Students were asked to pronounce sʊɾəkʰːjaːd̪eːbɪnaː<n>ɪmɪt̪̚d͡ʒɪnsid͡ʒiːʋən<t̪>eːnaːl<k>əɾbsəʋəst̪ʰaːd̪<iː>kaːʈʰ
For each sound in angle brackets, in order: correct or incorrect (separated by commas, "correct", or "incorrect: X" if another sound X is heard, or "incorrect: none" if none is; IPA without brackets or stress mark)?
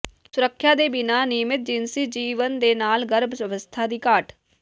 correct, incorrect: d̪, incorrect: ɡ, correct